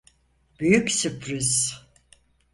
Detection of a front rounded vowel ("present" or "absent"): present